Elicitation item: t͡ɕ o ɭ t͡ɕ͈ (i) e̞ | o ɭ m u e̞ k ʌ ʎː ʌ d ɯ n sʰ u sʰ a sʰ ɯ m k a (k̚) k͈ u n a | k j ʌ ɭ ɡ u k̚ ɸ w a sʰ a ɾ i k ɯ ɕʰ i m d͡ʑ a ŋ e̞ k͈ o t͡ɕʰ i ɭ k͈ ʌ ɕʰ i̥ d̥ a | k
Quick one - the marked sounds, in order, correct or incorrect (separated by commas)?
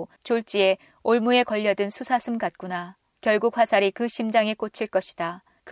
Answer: correct, incorrect